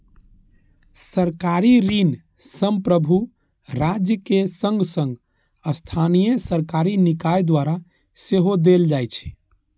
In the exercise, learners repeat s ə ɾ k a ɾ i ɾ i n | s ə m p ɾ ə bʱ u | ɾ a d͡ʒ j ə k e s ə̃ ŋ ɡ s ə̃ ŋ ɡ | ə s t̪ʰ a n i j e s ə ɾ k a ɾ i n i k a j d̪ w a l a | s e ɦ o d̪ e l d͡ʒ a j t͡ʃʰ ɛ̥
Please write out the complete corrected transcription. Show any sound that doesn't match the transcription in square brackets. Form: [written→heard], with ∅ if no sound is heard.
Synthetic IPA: s ə ɾ k a ɾ i ɾ i n | s ə m p ɾ ə bʱ u | ɾ a d͡ʒ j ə k e s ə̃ ŋ ɡ s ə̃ ŋ ɡ | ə s t̪ʰ a n i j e s ə ɾ k a ɾ i n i k a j d̪ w a [l→ɾ] a | s e ɦ o d̪ e l d͡ʒ a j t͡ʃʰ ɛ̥